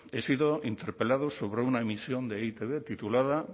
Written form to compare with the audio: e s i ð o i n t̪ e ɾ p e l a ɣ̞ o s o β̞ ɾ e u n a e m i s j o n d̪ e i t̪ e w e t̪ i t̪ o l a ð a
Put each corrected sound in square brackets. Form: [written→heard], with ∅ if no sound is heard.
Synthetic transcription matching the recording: e s i ð o i n t̪ e ɾ p e l a [ɣ̞→ð̞] o s o β̞ ɾ e u n a e m i s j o n d̪ e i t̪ e [w→β] e t̪ i t̪ [o→u] l a ð a